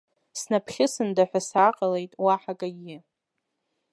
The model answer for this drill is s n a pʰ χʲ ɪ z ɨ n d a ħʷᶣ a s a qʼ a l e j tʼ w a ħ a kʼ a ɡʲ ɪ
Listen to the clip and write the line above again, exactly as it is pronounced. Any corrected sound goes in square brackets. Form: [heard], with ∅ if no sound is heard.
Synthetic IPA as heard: s n a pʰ χʲ ɪ [s] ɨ n d a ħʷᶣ a s a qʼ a l e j tʼ w a ħ a kʼ a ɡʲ ɪ